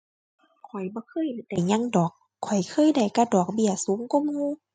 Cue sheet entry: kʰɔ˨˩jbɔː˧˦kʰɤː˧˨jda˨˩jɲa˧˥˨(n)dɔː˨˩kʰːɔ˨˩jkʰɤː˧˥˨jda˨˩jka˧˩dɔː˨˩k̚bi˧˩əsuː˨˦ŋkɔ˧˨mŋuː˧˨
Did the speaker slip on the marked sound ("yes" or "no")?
yes